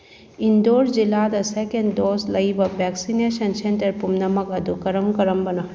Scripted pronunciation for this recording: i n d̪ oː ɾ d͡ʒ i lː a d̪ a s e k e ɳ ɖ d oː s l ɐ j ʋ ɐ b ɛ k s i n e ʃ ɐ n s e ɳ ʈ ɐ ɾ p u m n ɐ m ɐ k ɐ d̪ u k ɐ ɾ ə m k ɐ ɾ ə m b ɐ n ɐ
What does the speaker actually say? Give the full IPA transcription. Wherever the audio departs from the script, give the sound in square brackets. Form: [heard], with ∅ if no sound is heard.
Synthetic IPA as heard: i n d̪ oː ɾ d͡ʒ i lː a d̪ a s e k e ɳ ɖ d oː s l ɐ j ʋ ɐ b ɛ k s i n e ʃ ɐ n s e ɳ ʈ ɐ ɾ p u m n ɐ m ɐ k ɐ d̪ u k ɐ ɾ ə m k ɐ ɾ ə m b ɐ n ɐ